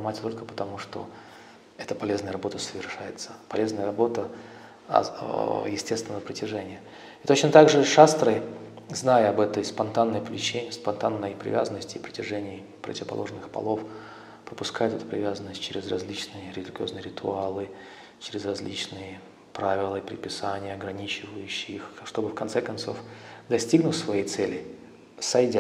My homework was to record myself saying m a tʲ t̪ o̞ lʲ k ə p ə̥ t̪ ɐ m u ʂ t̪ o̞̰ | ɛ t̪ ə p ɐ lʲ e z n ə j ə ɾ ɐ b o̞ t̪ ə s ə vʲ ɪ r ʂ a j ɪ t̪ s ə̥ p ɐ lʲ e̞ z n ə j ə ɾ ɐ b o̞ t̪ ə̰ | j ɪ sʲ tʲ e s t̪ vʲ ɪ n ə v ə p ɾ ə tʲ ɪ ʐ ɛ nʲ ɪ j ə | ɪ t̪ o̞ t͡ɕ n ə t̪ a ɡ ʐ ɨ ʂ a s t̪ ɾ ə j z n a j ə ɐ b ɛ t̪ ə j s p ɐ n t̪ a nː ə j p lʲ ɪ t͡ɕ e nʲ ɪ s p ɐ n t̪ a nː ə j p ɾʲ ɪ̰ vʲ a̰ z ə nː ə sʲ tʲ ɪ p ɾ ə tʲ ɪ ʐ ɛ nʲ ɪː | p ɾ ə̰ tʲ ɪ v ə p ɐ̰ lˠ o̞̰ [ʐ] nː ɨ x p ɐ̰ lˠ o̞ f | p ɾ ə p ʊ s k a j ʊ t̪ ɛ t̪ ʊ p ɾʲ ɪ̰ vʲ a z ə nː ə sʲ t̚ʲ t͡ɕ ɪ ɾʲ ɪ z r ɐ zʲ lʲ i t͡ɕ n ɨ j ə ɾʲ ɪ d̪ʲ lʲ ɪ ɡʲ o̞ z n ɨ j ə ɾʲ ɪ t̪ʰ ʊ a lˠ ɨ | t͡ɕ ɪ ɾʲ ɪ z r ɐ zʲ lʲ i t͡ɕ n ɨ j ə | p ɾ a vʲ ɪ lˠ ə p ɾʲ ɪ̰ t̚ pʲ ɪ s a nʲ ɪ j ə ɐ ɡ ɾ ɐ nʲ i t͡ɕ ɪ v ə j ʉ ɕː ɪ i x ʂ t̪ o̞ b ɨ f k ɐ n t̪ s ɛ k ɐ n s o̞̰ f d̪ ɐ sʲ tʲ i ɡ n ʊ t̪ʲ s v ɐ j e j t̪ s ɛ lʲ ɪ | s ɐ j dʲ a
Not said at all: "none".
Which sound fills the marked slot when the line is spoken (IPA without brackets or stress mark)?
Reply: ʐ